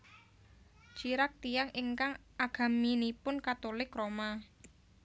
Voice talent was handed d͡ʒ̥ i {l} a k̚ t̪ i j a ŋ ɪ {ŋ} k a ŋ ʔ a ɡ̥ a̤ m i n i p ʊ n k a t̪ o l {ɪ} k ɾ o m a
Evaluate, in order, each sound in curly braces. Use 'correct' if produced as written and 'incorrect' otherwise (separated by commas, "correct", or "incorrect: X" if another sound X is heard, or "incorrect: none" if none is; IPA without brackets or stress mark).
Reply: incorrect: ɾ, correct, correct